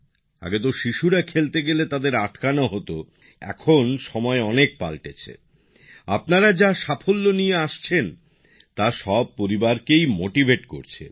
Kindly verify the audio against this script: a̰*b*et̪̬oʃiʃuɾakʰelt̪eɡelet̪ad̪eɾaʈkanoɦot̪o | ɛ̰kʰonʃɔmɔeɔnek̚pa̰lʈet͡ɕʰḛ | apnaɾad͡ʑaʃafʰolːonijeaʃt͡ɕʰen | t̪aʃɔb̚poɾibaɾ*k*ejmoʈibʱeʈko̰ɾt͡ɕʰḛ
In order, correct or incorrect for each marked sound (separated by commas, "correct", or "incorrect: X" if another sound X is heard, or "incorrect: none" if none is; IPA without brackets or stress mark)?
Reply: incorrect: ɡ, correct